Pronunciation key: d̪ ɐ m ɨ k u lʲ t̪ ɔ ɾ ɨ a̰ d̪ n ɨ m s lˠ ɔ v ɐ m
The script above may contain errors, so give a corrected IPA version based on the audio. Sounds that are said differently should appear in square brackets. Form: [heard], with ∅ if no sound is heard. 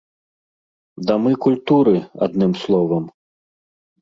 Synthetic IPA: d̪ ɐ m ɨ k u lʲ t̪ [u] ɾ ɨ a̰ d̪ n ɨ m s lˠ ɔ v ɐ m